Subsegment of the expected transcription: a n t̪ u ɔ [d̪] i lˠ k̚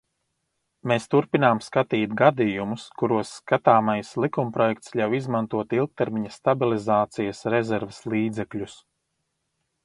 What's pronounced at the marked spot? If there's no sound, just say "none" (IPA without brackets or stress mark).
t̪